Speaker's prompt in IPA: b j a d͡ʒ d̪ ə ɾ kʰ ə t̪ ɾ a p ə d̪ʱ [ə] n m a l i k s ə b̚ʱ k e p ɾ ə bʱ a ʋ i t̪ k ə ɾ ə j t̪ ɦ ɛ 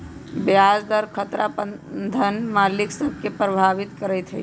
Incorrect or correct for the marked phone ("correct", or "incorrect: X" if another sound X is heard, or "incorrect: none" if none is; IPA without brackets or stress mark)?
correct